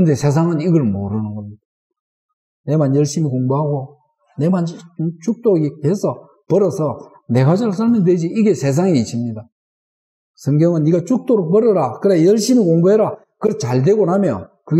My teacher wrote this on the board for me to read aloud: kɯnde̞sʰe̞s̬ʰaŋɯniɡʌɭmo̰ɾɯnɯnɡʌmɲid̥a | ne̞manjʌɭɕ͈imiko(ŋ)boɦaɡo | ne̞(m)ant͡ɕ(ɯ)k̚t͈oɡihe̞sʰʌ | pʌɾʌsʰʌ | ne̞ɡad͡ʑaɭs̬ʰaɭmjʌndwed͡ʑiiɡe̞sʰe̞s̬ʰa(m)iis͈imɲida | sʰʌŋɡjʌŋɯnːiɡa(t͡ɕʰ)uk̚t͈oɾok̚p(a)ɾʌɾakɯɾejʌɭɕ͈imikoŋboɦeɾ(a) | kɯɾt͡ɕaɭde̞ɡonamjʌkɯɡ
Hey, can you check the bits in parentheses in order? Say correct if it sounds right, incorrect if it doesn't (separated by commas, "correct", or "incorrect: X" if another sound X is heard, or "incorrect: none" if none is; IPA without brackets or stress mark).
correct, correct, incorrect: u, incorrect: ŋ, incorrect: t͡ɕ, incorrect: ʌ, correct